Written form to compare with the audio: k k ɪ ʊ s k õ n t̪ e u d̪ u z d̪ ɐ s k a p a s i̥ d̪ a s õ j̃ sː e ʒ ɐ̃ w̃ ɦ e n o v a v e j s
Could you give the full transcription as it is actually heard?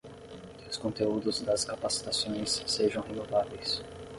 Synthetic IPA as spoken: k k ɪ ʊ s k õ n t̪ e u d̪ ʊ z d̪ ɐ s k a p a s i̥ t̪ a s õ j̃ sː e ʒ ɐ̃ w̃ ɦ e n o v a v e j s